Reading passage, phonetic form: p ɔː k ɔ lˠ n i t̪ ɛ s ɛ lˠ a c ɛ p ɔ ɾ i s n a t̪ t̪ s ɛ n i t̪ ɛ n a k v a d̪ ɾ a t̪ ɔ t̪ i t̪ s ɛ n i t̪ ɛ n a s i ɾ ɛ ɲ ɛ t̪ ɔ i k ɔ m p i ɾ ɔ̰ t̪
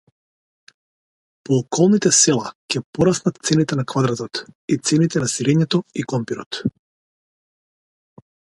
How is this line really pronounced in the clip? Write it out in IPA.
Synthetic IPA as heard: p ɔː k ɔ lˠ n i t̪ ɛ s ɛ lˠ a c ɛ p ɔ ɾ a s n a t̪ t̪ s ɛ n i t̪ ɛ n a k v a d̪ ɾ a t̪ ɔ t̪ i t̪ s ɛ n i t̪ ɛ n a s i ɾ ɛ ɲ ɛ t̪ ɔ i k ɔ m p i ɾ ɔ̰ t̪